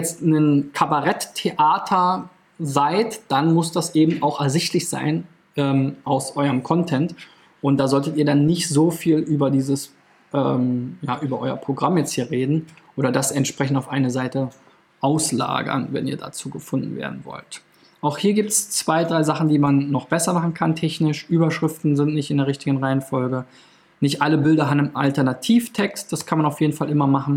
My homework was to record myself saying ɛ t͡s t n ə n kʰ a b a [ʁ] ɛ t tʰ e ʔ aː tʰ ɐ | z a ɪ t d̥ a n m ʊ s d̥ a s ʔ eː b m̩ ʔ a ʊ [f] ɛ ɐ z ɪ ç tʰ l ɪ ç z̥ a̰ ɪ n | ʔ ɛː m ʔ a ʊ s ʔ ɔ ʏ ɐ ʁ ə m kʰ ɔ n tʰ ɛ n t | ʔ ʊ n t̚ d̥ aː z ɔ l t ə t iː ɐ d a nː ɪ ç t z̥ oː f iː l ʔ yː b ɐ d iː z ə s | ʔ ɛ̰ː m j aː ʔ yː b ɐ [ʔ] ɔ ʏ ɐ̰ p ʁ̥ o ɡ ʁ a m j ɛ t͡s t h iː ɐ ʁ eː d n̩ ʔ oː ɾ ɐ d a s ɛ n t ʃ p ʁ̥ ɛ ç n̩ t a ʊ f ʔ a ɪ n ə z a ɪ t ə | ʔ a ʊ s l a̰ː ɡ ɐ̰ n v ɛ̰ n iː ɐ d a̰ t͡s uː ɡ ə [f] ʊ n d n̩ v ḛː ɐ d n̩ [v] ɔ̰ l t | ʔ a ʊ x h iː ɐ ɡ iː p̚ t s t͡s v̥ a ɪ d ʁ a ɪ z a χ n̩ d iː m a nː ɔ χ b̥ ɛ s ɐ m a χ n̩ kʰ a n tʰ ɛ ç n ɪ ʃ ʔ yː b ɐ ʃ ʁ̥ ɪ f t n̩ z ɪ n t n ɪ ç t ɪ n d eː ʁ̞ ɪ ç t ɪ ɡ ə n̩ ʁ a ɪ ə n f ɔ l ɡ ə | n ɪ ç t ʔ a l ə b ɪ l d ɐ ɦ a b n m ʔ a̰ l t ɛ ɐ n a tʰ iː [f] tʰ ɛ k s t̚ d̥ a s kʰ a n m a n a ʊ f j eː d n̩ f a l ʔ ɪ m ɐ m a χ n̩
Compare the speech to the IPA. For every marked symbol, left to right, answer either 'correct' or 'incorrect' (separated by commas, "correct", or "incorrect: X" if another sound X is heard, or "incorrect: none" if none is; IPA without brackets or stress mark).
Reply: correct, incorrect: x, correct, correct, correct, correct